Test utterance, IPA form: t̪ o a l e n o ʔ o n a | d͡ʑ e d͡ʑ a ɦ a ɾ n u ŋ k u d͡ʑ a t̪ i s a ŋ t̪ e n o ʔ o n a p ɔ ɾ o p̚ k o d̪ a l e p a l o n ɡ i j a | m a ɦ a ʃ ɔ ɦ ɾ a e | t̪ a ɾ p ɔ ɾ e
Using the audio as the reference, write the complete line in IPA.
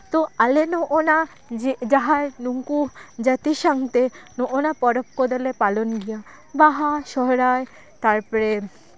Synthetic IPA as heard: t̪ o a l e n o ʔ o n a | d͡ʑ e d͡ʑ a ɦ a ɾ n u ŋ k u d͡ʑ a t̪ i ʃ a ŋ t̪ e n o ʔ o n a p ɔ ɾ o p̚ k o d̪ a l e p a l o n ɡ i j a | b a ɦ a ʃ ɔ ɦ ɾ a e | t̪ a ɾ p ɔ ɾ e